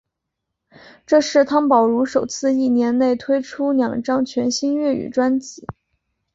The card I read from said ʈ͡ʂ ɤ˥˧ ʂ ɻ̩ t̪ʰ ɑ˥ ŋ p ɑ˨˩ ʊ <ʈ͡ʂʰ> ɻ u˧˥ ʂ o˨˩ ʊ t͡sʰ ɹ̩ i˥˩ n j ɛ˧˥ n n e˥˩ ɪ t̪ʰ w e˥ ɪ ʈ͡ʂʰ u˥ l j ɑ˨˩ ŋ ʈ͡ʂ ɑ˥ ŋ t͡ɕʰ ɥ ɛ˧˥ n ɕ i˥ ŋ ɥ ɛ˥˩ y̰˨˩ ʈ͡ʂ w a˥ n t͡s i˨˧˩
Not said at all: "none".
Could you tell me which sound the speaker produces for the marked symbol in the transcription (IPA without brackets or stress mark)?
none